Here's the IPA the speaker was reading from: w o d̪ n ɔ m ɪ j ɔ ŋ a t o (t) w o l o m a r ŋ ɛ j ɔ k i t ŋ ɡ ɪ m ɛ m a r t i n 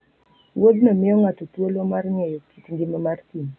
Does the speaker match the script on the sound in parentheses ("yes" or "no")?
yes